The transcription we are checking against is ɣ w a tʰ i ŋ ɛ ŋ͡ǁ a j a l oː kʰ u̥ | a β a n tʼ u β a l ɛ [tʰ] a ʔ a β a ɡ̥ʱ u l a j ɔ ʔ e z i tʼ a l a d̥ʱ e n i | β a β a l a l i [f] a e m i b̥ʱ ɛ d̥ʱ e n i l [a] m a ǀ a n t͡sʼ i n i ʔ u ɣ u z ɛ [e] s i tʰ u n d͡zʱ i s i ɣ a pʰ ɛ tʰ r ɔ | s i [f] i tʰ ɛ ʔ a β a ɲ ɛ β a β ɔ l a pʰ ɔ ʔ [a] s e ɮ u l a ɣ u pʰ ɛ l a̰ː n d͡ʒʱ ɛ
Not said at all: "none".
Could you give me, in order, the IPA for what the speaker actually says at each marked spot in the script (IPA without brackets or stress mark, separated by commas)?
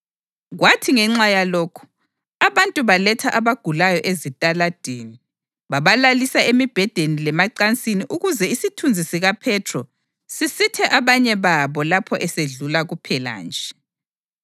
tʰ, s, ɛ, i, s, ɛ